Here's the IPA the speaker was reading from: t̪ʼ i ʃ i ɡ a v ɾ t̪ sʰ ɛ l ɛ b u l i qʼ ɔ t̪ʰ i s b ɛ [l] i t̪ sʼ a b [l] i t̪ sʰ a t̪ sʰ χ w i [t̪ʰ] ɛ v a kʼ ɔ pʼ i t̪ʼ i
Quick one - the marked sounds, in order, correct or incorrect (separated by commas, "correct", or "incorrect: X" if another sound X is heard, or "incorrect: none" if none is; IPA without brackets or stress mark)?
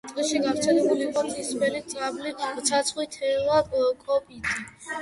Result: correct, correct, correct